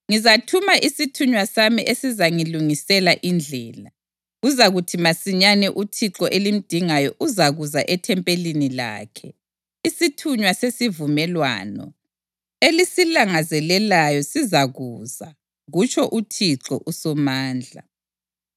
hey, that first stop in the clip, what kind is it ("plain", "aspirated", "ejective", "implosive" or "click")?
aspirated